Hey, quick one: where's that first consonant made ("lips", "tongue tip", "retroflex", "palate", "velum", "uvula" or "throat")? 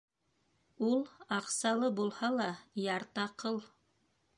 tongue tip